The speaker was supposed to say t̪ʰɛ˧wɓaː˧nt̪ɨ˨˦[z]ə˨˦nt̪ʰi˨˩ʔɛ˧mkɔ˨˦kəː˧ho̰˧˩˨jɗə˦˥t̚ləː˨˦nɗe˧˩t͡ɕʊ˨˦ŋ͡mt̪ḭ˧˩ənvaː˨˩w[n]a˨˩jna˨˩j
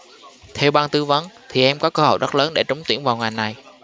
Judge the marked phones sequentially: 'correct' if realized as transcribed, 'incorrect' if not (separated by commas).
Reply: incorrect, incorrect